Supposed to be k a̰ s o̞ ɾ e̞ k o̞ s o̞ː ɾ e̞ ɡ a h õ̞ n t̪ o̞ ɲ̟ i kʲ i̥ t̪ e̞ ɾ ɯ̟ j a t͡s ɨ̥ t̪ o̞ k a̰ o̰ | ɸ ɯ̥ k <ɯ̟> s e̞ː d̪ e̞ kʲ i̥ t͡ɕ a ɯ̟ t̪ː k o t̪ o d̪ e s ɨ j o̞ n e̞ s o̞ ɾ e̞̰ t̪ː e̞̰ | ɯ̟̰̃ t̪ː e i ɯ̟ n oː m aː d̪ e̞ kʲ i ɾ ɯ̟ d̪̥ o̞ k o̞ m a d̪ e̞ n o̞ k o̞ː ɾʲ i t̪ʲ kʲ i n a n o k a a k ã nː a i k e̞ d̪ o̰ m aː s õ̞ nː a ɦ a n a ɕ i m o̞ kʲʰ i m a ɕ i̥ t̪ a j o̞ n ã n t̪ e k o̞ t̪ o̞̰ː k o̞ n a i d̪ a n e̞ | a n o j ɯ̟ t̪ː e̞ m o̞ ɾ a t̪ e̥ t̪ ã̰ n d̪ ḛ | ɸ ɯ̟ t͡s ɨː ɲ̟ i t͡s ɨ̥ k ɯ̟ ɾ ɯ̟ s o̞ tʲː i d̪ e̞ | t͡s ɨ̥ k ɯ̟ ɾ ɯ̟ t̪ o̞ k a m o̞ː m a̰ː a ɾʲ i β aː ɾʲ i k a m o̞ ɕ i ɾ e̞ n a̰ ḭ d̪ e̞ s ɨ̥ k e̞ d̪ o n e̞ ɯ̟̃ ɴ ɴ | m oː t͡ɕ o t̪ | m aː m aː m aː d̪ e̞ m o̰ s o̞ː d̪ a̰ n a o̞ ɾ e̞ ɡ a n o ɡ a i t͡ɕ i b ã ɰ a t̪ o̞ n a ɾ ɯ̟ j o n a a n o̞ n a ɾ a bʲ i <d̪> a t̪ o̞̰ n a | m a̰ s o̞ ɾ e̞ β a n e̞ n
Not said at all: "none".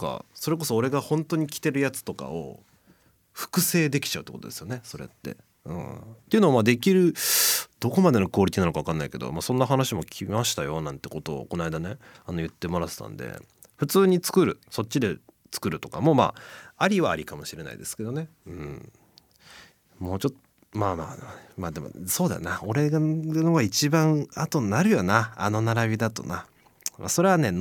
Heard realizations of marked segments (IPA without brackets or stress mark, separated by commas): ɯ̟, d̪